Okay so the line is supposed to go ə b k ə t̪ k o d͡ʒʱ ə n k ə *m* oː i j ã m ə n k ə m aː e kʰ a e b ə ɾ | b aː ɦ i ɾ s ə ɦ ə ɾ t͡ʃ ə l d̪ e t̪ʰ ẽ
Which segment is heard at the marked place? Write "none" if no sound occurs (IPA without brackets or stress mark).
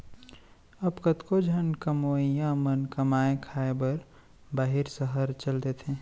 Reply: m